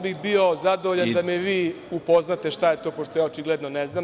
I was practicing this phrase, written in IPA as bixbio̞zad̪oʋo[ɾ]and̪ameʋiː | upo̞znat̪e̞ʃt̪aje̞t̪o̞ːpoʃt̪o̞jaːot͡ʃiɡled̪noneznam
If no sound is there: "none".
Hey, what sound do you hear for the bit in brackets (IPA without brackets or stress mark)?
ʎ